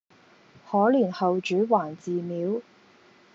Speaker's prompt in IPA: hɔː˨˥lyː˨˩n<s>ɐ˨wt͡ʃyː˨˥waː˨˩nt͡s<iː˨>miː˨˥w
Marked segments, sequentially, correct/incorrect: incorrect: h, correct

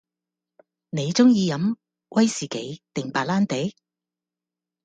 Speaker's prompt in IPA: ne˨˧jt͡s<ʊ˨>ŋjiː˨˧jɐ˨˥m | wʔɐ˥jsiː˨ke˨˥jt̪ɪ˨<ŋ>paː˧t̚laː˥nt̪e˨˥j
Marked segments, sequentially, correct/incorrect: incorrect: ʊ˥, correct

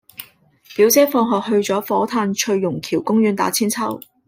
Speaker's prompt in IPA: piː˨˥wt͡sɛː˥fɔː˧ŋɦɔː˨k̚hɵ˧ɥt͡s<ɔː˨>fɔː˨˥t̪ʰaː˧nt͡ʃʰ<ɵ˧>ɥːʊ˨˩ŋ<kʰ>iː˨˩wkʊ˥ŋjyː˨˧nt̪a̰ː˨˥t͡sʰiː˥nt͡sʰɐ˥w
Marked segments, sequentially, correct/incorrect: incorrect: ɔː˨˥, correct, correct

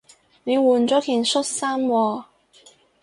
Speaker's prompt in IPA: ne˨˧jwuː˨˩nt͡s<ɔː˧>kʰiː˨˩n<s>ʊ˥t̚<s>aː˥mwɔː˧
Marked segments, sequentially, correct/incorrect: incorrect: ɔː˨˥, correct, correct

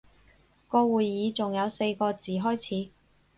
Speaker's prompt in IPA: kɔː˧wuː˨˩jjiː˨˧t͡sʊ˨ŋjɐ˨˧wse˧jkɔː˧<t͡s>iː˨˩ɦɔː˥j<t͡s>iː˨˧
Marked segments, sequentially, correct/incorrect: correct, incorrect: t͡sʰ

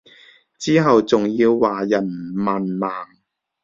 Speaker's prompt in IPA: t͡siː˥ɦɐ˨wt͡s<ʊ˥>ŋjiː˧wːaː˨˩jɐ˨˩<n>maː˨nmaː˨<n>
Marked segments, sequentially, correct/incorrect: incorrect: ʊ˨, correct, incorrect: ŋ

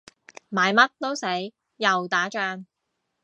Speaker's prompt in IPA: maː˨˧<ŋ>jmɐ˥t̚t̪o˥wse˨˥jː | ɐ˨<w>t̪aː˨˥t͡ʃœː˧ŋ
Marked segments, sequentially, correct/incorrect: incorrect: none, correct

